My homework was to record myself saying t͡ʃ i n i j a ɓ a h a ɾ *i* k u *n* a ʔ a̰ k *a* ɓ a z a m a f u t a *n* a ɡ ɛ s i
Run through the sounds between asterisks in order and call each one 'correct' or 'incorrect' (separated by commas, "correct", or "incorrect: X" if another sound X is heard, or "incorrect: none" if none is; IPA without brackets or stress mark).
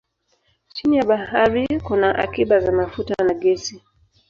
correct, correct, incorrect: i, correct